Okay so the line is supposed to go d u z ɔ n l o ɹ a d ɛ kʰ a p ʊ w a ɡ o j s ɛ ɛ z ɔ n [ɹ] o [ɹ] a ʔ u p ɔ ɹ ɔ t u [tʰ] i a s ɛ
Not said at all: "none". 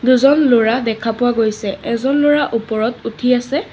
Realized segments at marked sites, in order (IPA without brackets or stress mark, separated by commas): l, ɹ, tʰ